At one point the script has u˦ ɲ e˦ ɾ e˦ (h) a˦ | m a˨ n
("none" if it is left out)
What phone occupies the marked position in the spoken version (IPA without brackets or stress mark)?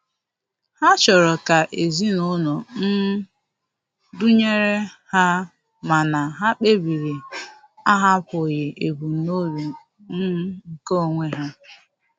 h